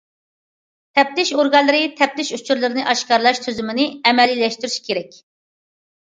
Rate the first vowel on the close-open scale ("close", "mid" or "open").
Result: mid